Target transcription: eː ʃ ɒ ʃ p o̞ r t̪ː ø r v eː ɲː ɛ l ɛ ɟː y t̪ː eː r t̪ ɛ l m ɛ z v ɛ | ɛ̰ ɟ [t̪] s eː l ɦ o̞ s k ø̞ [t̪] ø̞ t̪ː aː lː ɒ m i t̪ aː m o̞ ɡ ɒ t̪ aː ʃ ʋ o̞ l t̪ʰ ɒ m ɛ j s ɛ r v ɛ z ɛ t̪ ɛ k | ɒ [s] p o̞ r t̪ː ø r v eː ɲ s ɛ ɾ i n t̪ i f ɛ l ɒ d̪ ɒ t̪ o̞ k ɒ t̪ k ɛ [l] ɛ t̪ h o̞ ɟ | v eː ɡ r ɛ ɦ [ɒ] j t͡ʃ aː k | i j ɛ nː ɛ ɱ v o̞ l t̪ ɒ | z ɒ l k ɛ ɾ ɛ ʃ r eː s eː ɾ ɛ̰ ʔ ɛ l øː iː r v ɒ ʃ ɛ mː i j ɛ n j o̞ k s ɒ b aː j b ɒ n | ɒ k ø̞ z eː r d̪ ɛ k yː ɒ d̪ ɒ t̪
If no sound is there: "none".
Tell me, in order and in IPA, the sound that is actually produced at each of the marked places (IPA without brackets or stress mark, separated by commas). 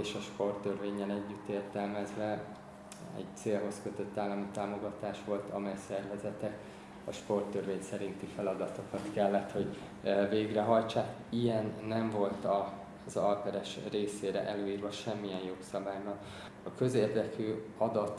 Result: t̪, t̪, ʃ, lː, ɒ